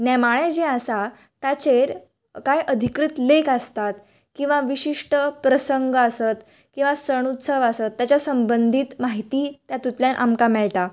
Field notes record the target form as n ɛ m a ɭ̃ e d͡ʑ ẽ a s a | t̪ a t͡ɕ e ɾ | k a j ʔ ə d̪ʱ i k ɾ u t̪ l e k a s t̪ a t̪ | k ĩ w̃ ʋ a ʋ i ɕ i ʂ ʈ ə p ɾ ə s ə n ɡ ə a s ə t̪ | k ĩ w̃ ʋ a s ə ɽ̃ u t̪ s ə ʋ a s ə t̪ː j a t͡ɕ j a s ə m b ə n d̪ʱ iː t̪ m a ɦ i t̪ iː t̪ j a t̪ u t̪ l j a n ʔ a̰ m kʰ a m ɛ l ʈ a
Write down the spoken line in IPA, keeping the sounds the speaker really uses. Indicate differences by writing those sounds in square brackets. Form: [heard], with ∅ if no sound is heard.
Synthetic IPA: n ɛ m a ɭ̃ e d͡ʑ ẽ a s a | t̪ a t͡ɕ e ɾ | k a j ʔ ə d̪ʱ i k ɾ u t̪ l e k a s t̪ a t̪ | k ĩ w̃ ʋ a ʋ i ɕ i ʂ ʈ ə p ɾ ə s ə [ŋ] ɡ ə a s ə t̪ | k ĩ w̃ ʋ a s ə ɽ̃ u t̪ s ə ʋ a s ə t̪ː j a t͡ɕ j a s ə m b ə n d̪ʱ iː t̪ m a ɦ i t̪ iː t̪ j a t̪ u t̪ l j a n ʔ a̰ m [k] a m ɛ [ɭ] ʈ a